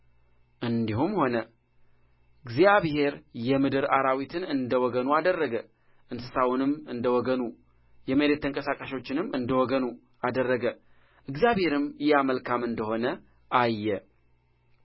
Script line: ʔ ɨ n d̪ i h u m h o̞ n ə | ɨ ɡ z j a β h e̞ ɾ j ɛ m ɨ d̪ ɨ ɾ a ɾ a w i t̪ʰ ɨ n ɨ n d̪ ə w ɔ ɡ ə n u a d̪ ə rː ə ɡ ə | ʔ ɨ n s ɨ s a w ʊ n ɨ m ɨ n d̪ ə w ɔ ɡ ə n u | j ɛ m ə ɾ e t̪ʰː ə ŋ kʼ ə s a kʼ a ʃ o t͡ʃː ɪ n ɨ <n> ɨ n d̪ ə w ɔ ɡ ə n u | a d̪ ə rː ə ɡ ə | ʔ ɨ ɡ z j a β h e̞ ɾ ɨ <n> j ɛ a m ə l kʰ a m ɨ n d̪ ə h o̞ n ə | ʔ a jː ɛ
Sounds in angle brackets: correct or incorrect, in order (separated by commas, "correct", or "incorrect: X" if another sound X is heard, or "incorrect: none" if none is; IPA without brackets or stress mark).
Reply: incorrect: m, incorrect: m